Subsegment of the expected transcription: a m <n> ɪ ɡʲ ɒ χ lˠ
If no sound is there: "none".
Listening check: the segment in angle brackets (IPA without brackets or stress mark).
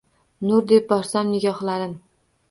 n